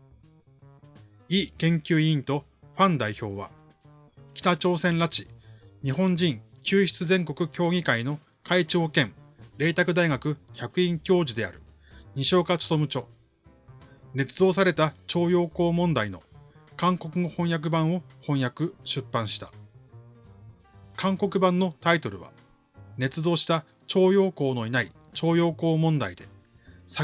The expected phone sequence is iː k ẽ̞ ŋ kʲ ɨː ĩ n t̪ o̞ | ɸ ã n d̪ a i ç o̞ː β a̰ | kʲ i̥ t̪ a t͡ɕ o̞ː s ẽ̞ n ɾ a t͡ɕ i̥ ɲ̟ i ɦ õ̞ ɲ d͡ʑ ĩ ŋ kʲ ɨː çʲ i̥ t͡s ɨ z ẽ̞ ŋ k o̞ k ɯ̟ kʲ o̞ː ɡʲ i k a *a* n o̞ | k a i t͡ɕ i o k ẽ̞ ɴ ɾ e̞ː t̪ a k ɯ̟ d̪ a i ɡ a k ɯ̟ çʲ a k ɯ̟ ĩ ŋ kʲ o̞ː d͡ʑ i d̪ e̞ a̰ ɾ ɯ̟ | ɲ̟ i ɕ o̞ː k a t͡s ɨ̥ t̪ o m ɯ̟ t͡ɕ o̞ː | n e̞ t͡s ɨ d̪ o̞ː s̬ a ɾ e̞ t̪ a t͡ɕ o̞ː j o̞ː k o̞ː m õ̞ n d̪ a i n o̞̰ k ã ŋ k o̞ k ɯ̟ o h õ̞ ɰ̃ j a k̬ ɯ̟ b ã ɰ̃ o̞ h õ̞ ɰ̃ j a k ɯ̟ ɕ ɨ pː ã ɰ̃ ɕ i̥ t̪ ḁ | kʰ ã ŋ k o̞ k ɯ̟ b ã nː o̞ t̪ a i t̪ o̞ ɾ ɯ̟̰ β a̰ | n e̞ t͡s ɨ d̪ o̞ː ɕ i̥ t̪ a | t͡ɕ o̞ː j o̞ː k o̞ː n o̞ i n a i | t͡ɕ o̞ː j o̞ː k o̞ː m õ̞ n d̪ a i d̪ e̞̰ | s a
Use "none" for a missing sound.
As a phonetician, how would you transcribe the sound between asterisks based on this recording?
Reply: i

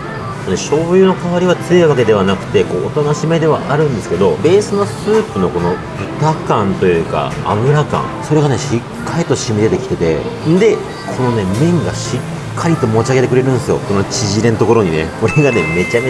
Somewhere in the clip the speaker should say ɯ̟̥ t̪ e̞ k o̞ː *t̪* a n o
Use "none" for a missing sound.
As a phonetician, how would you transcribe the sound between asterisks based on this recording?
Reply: t̪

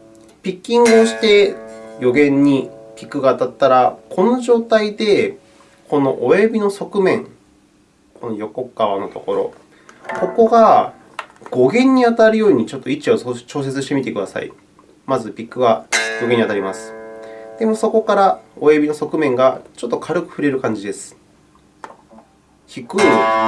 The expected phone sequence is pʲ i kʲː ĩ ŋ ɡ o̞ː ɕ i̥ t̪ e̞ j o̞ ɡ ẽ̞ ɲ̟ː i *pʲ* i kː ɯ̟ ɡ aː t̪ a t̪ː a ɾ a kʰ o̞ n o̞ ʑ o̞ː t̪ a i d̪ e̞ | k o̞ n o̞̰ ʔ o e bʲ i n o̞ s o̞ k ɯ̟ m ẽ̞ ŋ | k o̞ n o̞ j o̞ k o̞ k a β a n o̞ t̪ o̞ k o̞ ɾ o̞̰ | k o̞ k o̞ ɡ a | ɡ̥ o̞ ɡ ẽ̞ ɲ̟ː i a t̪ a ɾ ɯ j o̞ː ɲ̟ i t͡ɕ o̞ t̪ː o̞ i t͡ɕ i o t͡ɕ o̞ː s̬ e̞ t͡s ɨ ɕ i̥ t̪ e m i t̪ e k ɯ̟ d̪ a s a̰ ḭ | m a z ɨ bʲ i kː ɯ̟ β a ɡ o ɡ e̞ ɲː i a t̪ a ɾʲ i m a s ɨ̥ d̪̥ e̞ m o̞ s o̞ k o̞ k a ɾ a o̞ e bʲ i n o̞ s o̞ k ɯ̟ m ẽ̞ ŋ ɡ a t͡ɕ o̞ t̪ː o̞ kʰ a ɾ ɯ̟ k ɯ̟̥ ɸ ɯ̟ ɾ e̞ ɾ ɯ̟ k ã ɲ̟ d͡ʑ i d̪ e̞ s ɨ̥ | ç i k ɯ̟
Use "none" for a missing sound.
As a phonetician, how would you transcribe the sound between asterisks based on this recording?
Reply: pʲ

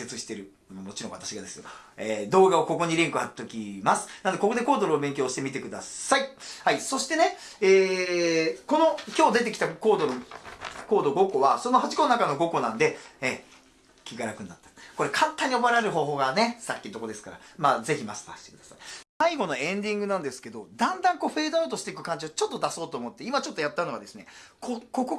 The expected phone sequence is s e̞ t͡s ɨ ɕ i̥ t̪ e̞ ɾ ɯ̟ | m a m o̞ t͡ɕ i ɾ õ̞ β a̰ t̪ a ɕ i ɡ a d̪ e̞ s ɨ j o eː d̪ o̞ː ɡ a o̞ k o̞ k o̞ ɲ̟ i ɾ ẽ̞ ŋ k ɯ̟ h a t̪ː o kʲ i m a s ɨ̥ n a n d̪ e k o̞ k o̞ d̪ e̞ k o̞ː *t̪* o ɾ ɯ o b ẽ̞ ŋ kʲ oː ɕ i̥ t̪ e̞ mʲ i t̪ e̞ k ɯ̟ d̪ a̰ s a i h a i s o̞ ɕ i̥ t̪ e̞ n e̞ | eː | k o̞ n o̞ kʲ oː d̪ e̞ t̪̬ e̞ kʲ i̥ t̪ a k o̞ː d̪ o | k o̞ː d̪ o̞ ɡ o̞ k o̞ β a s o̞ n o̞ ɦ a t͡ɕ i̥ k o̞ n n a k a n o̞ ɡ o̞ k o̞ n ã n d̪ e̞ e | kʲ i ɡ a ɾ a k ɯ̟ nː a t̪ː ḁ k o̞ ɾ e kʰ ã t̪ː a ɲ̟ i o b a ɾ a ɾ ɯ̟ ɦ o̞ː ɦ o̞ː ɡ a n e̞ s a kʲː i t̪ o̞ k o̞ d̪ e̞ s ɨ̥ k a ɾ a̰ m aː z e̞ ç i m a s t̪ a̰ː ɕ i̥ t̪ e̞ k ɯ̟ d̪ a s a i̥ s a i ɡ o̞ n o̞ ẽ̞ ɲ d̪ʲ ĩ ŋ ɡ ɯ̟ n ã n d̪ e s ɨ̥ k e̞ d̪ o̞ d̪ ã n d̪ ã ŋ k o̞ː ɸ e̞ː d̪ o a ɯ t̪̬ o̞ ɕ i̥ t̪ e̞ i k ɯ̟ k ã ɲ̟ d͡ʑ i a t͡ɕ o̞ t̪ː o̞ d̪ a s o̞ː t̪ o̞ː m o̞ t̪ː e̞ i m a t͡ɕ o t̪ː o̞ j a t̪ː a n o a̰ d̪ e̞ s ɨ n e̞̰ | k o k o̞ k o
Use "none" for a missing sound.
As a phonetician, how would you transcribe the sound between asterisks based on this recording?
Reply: d̪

